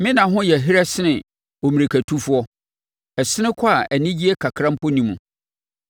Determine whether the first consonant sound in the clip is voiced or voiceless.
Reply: voiced